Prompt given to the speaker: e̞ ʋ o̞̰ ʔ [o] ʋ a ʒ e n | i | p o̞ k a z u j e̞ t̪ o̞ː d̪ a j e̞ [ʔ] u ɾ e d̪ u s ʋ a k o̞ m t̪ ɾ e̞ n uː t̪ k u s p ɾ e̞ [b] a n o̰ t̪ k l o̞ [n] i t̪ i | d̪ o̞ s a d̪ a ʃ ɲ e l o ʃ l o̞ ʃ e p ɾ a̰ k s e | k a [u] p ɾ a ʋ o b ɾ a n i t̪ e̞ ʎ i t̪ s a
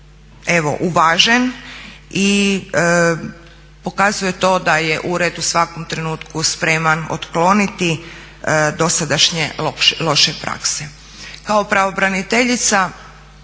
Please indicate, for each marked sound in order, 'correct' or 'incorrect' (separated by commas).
incorrect, correct, incorrect, correct, incorrect